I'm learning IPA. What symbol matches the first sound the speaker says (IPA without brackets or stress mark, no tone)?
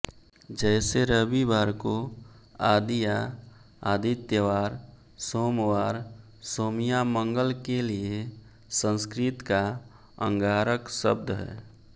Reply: d͡ʒ